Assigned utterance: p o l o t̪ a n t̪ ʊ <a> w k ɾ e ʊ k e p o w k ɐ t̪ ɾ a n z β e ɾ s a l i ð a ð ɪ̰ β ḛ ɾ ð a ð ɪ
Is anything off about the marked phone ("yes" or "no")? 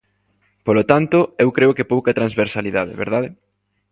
yes